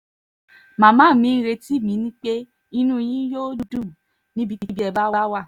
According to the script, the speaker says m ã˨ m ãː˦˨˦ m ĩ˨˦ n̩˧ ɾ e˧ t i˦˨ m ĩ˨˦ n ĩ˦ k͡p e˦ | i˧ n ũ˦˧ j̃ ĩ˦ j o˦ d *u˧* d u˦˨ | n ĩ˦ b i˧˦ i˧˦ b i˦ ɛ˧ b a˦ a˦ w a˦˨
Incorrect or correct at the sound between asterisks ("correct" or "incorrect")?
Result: correct